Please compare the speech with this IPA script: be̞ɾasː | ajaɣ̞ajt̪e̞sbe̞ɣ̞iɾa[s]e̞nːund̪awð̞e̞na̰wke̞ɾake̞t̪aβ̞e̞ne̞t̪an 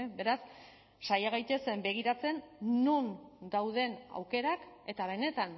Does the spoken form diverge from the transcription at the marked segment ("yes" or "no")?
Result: yes